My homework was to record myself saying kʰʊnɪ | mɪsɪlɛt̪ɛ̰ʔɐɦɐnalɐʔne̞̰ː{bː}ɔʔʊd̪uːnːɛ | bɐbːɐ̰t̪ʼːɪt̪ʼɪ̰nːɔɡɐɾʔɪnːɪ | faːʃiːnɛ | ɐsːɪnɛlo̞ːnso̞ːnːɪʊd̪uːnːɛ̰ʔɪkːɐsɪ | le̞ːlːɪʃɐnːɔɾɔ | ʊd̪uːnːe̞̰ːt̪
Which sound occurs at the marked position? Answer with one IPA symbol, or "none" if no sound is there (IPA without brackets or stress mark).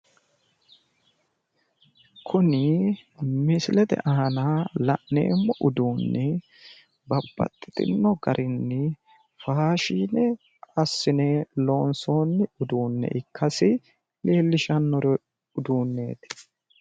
mː